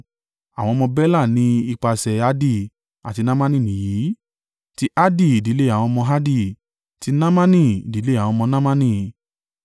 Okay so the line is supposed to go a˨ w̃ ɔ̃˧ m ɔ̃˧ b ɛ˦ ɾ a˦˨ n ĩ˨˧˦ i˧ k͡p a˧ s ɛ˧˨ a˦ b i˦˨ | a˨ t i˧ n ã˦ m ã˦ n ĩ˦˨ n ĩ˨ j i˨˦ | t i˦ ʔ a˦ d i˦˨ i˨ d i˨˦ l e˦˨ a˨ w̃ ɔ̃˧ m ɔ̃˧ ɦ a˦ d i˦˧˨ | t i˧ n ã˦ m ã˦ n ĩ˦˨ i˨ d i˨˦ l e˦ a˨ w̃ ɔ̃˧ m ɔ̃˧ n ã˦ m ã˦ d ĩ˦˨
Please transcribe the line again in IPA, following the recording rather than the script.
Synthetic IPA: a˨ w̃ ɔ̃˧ m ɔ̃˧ b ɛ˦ l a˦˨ n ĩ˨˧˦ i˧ k͡p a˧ s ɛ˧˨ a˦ d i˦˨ | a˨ t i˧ n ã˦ m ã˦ n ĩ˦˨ n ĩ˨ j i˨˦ | t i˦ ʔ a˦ d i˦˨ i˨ d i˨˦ l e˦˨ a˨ w̃ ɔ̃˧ m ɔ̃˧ ɦ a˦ d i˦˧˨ | t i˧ n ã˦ m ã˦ n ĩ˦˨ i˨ d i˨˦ l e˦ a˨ w̃ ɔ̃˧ m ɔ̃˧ n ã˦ m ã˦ n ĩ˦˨